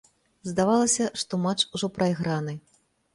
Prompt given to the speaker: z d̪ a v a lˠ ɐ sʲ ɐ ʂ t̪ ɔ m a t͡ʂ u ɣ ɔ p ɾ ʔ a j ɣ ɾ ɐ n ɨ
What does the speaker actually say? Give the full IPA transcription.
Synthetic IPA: z d̪ a v a lˠ ɐ sʲ ɐ ʂ t̪ ɔ m a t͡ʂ u ʐ ɔ p ɾ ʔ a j ɣ ɾ a n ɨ